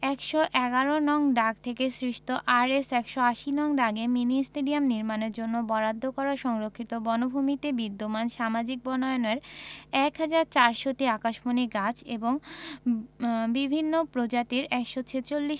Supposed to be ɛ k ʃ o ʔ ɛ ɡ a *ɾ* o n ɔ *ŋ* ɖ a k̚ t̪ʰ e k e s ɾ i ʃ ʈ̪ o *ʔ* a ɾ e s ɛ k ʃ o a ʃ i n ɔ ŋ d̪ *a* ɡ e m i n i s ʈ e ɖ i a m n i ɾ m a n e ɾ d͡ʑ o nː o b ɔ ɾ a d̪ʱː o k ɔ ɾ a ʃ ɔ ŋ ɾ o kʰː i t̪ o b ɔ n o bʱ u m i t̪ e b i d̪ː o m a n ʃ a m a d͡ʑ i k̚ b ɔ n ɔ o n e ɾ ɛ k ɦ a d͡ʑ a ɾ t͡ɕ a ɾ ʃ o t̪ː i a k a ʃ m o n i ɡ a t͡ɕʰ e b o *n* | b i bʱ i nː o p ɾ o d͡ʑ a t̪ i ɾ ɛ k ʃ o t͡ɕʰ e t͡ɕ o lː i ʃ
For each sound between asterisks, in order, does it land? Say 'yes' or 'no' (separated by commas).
yes, yes, yes, yes, no